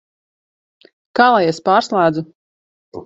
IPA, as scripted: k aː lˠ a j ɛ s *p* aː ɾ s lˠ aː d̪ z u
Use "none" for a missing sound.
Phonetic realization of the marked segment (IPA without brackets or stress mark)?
p